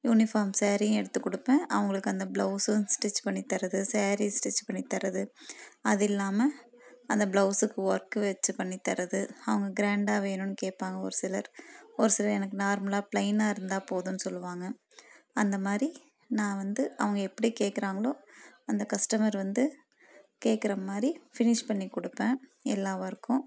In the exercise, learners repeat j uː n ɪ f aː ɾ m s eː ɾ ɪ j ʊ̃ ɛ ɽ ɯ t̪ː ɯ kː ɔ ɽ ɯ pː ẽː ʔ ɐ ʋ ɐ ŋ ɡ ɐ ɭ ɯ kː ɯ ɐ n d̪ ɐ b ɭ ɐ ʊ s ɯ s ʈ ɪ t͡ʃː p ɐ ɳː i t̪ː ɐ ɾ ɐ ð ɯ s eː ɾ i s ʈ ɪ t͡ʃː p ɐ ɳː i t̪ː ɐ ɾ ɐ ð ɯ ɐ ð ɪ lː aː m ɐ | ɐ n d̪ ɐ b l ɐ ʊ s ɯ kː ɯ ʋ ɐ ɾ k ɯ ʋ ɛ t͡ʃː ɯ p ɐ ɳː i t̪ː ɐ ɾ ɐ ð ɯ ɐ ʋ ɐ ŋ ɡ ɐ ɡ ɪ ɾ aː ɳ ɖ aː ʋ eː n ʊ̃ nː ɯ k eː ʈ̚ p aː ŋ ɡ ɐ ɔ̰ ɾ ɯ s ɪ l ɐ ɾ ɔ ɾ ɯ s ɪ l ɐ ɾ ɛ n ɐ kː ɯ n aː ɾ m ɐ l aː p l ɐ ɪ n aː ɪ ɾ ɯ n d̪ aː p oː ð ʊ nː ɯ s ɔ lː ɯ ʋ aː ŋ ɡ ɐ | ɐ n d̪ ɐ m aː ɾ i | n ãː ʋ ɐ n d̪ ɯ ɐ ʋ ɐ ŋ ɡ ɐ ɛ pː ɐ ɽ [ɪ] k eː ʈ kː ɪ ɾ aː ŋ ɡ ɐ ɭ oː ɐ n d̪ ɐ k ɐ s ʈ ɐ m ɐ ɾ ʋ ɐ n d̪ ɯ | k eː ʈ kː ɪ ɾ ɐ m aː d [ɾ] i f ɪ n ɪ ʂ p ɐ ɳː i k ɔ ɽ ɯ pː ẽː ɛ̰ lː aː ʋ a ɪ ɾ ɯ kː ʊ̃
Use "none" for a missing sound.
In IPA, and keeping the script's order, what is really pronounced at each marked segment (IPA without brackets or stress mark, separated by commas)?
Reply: i, ɾ